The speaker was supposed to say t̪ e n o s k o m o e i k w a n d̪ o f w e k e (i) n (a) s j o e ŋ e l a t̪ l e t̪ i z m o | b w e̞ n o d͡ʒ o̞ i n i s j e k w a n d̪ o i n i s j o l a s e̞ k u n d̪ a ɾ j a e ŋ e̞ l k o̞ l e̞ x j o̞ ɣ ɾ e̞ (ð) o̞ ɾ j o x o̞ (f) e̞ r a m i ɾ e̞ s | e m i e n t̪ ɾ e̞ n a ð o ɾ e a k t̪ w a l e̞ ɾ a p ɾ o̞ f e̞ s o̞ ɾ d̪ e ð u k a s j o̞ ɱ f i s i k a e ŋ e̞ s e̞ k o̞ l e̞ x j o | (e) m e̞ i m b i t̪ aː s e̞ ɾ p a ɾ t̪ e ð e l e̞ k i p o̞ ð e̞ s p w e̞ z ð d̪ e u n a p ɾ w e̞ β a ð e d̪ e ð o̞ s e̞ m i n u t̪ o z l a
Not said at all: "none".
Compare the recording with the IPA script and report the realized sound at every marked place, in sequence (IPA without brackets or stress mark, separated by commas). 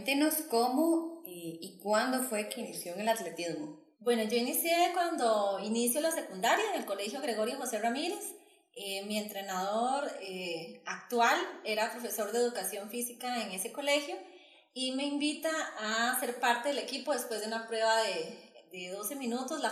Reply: i, i, ɣ, s, i